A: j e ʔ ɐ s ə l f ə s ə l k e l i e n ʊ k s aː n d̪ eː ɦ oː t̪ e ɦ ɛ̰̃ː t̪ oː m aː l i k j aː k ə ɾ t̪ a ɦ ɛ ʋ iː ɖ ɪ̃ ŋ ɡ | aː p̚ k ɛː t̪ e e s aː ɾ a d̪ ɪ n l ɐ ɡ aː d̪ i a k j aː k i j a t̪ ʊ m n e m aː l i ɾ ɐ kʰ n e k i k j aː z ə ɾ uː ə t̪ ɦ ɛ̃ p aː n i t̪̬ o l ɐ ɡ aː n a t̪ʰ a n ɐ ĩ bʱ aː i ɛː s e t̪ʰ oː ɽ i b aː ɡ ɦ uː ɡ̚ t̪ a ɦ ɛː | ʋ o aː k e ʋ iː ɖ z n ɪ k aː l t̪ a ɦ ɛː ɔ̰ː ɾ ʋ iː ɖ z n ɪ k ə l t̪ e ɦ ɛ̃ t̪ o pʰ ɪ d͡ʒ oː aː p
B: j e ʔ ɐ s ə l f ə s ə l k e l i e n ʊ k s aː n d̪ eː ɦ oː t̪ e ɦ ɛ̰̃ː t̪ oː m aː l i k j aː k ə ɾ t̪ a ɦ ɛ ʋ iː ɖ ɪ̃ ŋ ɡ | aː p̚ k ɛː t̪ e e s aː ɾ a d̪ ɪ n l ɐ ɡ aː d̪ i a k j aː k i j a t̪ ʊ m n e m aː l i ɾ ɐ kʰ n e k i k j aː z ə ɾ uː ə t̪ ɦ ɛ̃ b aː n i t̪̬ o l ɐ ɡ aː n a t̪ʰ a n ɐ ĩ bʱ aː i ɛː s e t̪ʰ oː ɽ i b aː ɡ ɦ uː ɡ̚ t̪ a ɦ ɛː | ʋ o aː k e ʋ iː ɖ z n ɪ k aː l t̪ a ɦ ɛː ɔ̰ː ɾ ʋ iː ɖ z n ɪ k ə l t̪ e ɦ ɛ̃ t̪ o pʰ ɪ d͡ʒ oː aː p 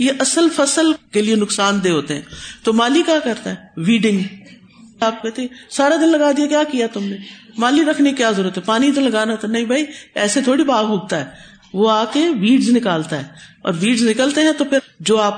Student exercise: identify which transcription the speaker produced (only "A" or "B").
A